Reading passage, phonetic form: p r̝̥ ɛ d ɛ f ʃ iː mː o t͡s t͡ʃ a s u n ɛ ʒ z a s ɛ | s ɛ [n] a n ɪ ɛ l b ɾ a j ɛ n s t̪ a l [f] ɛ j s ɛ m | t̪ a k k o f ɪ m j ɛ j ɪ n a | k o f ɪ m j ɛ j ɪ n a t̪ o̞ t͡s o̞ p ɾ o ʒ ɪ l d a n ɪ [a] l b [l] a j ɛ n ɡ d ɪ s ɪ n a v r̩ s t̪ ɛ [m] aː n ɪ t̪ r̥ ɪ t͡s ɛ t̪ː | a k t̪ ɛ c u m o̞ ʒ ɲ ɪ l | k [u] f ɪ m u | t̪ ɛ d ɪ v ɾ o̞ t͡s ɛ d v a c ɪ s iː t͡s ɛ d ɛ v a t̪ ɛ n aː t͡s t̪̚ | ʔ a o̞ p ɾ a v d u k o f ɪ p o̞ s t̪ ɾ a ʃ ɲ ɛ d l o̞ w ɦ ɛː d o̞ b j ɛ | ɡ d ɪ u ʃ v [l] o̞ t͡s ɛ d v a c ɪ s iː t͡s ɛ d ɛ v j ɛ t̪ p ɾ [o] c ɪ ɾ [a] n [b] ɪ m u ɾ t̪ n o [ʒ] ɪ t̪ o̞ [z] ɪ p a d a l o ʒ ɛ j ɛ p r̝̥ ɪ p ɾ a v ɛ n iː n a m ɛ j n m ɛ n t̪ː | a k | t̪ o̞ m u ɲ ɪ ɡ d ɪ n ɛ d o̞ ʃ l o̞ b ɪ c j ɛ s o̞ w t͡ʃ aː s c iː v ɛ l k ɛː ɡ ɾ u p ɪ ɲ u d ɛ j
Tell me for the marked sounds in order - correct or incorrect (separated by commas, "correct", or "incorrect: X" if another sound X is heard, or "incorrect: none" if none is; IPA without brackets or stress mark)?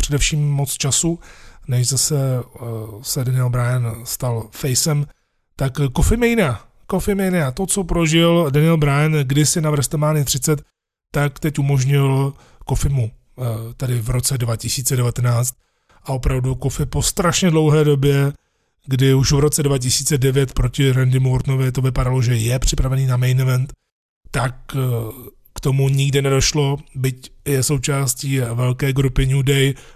incorrect: d, correct, incorrect: ɛ, incorrect: ɾ, correct, incorrect: o, incorrect: ɾ, correct, incorrect: ɛ, incorrect: d, incorrect: v, incorrect: v